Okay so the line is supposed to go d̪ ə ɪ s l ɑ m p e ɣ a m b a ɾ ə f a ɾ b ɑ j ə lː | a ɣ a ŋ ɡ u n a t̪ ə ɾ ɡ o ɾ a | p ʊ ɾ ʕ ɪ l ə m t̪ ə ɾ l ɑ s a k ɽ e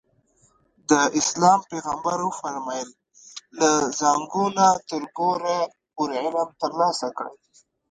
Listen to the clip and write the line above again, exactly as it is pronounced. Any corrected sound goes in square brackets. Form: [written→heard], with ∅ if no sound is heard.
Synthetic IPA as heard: d̪ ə ɪ s l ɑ m p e ɣ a m b a ɾ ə f a ɾ [b→m] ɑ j ə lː | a [ɣ→z] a ŋ ɡ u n a t̪ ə ɾ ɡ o ɾ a | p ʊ ɾ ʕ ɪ l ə m t̪ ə ɾ l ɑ s a k ɽ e